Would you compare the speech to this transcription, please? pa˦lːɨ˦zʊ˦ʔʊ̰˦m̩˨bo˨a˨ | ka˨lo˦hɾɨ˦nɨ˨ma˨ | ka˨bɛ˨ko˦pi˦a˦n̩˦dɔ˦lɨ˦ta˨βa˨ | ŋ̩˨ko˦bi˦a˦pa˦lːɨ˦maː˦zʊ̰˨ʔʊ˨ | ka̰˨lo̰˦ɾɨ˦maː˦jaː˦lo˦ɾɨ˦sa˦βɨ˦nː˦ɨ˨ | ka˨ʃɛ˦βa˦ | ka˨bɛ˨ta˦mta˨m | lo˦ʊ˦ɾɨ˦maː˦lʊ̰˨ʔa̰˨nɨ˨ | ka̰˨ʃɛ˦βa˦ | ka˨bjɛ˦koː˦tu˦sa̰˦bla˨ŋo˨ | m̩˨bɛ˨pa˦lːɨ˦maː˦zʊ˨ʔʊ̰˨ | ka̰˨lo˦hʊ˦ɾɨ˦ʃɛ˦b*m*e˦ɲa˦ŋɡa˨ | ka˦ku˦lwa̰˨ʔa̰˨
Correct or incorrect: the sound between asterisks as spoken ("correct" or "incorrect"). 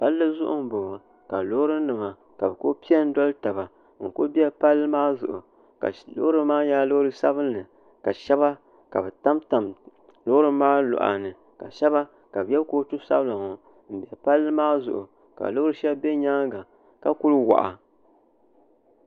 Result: incorrect